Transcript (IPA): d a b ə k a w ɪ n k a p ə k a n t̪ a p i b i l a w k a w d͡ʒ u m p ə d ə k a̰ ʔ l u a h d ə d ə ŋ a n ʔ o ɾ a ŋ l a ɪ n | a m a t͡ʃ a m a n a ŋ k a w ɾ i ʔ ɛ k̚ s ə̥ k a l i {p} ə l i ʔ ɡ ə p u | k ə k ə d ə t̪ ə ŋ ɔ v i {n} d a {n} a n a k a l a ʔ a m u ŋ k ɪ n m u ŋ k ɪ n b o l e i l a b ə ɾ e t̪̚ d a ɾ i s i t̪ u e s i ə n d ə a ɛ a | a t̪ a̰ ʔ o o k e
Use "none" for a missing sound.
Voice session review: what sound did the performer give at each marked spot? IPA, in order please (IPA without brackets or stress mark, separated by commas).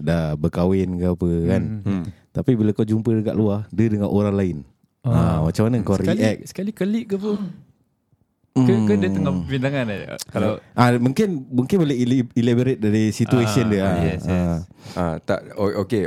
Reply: k, n, ŋ